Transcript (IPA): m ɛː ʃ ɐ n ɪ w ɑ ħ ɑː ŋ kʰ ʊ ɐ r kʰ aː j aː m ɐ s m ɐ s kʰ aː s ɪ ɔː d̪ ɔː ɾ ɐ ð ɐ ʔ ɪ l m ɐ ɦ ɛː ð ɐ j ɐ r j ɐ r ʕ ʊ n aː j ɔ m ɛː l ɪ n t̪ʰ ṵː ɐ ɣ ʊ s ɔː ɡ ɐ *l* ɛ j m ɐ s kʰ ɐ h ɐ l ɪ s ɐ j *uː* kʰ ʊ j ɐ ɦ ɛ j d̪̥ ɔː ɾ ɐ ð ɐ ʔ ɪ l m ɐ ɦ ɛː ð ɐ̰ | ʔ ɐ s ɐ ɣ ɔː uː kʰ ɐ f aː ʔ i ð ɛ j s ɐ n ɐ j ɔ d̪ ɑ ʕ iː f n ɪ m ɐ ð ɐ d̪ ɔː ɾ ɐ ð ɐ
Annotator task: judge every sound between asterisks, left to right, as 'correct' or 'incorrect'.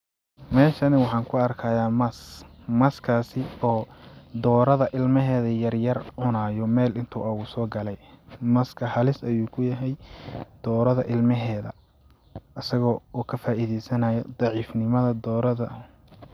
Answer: correct, correct

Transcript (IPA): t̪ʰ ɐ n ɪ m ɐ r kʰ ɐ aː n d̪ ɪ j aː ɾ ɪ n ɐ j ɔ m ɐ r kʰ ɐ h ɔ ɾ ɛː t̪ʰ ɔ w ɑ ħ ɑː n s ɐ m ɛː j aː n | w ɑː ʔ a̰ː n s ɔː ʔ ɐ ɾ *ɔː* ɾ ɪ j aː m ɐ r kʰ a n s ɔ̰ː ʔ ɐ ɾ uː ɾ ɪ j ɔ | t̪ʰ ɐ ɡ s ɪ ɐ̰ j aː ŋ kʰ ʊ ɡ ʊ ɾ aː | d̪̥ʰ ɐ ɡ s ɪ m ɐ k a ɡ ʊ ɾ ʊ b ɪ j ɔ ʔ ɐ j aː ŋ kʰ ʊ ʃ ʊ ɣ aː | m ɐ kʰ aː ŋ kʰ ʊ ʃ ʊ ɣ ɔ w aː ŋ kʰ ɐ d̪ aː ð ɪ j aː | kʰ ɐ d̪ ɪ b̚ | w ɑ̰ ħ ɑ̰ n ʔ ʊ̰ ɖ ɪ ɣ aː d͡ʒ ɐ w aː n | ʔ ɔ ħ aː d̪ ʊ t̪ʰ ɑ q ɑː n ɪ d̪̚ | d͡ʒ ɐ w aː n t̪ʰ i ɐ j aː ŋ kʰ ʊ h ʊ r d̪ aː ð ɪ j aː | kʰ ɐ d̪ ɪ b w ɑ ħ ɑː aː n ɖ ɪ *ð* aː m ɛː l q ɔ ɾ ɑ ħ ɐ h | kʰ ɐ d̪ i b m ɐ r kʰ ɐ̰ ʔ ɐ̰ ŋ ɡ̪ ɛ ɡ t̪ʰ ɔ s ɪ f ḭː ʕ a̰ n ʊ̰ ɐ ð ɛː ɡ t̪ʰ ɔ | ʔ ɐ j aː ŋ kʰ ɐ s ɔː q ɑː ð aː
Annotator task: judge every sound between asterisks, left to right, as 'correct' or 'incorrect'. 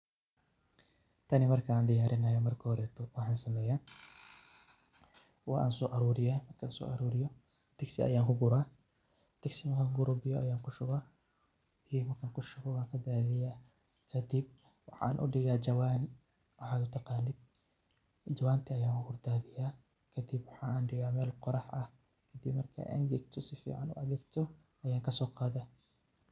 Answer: incorrect: uː, incorrect: ɣ

